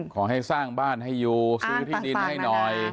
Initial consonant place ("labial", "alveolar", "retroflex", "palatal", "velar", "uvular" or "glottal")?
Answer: velar